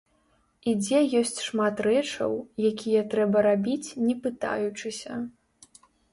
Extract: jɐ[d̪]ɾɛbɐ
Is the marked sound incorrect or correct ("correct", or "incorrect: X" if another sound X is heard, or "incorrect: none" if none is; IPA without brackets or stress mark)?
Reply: incorrect: t̪